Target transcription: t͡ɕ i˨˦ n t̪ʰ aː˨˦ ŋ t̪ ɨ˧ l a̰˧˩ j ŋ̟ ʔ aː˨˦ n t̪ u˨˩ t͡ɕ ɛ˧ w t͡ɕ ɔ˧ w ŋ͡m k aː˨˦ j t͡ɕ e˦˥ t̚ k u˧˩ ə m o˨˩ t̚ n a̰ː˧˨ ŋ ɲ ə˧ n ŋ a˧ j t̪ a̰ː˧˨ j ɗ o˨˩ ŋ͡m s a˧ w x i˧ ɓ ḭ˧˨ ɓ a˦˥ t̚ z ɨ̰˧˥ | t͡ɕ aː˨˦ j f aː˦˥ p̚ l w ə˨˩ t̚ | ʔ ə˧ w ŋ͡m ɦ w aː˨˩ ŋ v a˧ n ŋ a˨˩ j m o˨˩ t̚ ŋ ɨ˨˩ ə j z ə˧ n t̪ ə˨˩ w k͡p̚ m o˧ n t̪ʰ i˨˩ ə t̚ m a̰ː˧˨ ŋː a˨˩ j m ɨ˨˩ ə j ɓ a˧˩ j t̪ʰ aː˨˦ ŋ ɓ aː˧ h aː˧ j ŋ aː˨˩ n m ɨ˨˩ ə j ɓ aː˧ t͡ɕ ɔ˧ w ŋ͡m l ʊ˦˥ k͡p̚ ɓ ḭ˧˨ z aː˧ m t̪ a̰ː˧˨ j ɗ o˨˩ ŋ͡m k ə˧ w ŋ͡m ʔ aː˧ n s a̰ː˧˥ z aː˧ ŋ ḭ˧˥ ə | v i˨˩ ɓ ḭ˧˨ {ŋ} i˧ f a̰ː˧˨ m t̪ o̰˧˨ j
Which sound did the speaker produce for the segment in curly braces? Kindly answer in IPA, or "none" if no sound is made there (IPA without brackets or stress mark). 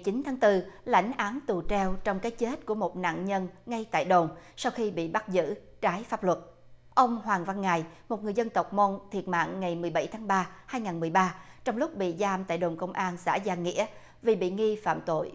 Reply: ŋ